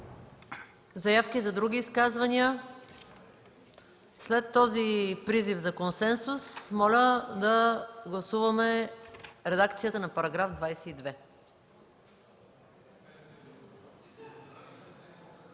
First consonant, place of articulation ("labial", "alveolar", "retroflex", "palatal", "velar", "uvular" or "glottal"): alveolar